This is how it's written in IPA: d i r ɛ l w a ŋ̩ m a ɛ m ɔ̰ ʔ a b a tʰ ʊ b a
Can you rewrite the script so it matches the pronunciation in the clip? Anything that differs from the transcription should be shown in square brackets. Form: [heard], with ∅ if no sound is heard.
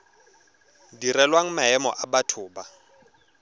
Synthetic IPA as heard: d i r ɛ l w a ŋ̩ m a ɛ m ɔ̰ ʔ a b a tʰ [ʊː] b a

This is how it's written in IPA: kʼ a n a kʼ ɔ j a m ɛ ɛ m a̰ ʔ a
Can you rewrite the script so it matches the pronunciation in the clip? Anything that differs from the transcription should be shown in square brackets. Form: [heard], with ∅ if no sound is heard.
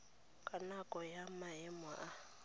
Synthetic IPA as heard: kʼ a n a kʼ ɔ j a m [a] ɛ m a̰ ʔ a

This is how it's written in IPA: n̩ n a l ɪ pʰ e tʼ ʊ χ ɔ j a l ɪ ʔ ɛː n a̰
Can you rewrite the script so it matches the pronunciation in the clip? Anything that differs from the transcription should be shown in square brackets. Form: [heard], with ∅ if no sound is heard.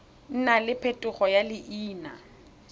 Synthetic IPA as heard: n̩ n a l ɪ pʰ e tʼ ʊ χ ɔ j a l ɪ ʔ [iː] n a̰

